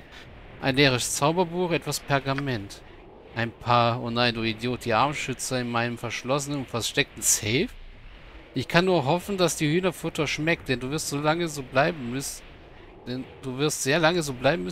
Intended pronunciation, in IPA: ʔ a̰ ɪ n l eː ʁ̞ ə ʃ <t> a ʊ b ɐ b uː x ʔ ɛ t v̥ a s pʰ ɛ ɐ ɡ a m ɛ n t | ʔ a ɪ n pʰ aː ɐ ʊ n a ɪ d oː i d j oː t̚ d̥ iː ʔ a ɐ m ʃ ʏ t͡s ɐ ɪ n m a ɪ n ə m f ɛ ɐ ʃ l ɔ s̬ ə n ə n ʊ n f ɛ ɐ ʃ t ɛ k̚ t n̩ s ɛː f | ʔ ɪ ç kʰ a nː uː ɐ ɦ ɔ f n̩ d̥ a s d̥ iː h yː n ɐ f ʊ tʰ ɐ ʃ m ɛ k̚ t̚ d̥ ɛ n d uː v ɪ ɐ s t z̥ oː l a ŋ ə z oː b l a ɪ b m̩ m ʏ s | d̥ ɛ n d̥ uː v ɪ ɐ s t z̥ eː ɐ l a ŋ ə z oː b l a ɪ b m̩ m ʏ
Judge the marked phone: incorrect: t͡s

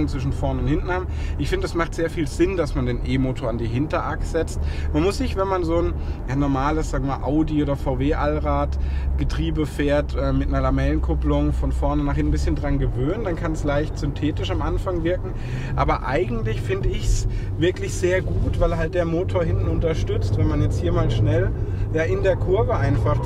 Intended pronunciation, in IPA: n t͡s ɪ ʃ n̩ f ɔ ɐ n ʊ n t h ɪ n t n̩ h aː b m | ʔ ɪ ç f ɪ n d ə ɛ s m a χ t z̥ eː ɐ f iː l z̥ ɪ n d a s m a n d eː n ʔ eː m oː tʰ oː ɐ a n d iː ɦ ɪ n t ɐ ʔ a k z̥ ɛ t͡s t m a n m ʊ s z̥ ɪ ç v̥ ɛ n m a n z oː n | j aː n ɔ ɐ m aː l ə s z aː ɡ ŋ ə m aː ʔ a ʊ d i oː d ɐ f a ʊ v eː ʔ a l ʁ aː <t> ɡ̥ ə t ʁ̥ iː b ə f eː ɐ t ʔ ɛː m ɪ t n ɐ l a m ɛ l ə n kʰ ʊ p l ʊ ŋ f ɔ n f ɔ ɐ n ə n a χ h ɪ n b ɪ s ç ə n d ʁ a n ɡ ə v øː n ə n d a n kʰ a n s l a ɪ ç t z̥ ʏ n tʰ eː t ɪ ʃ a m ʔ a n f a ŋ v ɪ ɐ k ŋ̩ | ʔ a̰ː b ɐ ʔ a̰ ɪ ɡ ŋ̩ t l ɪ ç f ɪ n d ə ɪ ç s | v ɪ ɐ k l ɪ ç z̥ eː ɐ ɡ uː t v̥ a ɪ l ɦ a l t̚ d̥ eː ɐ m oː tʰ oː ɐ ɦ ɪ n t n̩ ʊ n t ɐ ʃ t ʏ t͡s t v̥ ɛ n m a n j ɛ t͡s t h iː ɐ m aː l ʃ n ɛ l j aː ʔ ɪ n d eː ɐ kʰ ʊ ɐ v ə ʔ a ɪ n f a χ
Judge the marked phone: correct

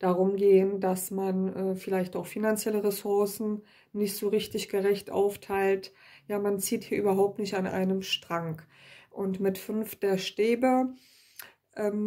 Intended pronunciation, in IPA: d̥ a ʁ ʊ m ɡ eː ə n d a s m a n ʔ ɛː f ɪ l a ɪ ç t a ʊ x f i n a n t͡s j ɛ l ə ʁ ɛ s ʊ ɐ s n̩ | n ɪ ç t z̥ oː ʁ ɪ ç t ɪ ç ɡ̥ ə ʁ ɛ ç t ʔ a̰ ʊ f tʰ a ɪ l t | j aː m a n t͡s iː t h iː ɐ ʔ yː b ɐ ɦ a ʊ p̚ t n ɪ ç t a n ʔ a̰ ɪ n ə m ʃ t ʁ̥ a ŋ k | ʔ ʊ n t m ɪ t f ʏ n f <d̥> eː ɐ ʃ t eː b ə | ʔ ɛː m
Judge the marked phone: correct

